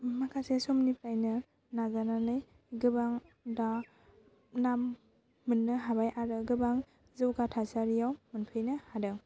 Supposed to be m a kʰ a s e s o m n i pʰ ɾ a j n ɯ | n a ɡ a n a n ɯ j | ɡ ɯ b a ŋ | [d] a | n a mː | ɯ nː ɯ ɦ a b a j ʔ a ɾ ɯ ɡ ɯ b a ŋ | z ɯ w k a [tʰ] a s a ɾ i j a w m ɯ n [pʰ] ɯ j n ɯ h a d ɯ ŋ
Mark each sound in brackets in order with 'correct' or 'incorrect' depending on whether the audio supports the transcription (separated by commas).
correct, correct, correct